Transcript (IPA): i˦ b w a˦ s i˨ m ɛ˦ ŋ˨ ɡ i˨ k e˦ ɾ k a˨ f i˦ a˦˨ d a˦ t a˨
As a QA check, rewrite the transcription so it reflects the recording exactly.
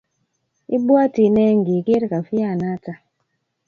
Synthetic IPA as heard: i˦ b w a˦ t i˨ n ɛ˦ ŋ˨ ɡ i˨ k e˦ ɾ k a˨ f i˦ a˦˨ n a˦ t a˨